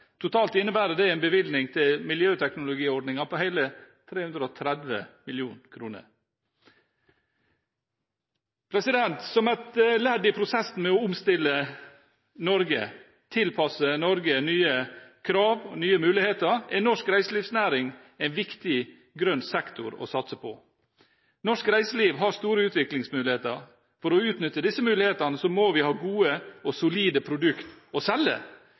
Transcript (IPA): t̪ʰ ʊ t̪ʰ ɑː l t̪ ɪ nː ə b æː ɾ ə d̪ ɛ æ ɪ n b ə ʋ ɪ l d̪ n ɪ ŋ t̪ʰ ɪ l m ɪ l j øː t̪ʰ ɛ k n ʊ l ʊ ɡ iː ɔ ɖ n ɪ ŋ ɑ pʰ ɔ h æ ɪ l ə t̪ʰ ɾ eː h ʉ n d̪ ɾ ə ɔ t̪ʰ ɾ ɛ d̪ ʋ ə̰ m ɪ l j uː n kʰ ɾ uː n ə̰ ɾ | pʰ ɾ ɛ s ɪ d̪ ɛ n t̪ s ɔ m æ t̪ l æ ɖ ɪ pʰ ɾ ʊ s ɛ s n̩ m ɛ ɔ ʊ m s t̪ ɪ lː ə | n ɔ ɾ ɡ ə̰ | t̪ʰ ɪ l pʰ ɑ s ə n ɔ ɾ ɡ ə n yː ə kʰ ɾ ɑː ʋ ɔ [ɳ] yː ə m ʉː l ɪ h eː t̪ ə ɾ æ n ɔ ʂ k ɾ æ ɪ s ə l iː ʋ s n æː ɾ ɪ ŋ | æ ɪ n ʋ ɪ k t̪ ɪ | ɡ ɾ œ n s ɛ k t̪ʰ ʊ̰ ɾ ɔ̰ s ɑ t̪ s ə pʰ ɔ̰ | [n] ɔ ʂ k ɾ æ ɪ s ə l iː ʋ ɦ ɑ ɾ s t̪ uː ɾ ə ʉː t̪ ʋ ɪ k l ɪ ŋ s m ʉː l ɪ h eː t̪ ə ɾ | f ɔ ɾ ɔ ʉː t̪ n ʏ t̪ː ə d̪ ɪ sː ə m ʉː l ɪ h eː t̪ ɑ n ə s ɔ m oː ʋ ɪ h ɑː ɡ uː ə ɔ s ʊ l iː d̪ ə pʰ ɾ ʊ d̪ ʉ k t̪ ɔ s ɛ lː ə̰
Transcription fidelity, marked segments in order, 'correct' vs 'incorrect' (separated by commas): incorrect, correct